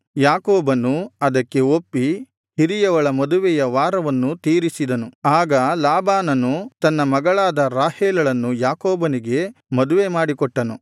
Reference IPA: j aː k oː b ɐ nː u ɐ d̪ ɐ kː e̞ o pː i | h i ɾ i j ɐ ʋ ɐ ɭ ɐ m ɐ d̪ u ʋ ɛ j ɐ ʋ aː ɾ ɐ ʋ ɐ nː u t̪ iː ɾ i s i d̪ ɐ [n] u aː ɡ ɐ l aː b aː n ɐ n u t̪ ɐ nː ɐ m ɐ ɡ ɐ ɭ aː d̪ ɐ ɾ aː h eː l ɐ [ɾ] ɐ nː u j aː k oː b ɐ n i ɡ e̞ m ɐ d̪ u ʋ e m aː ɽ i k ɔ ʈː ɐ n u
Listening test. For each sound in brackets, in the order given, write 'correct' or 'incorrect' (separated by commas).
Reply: correct, incorrect